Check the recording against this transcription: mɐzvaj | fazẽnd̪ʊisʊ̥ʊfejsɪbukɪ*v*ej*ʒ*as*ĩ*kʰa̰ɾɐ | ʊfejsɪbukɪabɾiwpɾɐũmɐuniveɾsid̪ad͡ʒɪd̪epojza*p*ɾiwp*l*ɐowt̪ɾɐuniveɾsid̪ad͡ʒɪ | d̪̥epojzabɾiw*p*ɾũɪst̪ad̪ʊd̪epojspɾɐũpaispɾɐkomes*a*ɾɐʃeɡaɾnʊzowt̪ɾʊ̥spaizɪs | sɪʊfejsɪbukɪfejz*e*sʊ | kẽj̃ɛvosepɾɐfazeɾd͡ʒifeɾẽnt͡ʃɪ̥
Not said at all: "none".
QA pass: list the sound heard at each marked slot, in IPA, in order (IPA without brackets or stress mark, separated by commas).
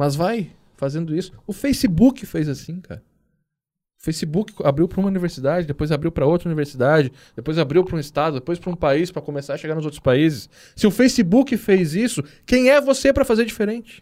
f, z, ĩ, b, ɾ, p, a, i